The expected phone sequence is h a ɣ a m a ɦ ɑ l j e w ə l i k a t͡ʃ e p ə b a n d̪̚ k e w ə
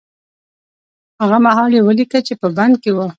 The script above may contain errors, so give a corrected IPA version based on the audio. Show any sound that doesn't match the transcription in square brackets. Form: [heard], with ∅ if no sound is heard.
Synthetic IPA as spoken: h a ɣ a m a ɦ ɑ l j e w ə l i k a t͡ʃ e p ə b a n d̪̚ k e w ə